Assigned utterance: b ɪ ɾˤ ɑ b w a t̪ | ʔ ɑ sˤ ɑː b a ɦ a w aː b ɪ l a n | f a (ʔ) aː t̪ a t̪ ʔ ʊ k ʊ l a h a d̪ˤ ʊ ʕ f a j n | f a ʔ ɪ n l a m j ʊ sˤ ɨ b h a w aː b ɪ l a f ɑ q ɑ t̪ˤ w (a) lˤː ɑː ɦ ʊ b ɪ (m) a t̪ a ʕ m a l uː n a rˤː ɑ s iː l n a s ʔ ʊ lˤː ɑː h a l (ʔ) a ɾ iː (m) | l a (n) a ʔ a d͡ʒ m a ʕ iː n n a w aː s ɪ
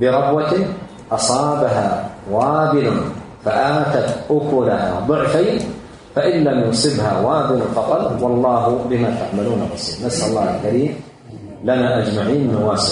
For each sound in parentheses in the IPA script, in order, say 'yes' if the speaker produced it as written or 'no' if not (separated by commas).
yes, no, yes, no, yes, yes